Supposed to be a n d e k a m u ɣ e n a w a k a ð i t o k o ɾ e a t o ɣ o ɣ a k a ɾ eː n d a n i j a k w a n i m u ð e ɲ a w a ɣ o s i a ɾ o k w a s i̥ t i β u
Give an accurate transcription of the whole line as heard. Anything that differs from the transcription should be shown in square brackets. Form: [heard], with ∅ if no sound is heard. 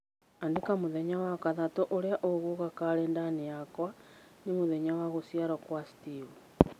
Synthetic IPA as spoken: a n d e k a m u [ð] e [ɲ] a w a k a ð [a] t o [ʔ] o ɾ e a [ʔ] o ɣ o ɣ a k a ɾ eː n d a n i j a k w a n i m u ð e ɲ a w a ɣ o s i a ɾ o k w a s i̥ t i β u